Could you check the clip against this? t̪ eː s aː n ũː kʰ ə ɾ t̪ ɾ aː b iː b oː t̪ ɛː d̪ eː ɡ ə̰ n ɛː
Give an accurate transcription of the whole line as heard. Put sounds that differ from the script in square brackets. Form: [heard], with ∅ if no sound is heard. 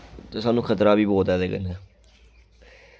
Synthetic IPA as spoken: t̪ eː s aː n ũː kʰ ə [∅] t̪ ɾ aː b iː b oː t̪ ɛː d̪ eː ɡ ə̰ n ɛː